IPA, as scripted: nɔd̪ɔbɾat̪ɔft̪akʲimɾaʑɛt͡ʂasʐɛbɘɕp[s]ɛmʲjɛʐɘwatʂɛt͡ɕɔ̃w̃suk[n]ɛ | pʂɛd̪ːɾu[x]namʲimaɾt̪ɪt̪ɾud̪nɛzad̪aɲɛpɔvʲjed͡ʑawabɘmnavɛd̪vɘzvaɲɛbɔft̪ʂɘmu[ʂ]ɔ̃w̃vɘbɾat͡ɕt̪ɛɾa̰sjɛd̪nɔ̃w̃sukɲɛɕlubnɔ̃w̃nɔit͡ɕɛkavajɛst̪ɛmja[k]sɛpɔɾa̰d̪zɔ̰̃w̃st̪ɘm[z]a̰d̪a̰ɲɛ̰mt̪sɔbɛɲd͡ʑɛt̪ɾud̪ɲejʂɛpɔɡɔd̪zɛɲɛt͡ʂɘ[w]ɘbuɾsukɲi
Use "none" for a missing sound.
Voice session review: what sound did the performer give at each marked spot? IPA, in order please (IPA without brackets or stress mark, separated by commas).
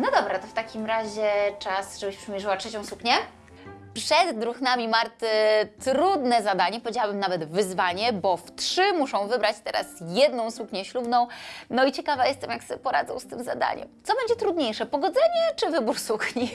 ʂ, ɲ, x, ʂ, k, z, v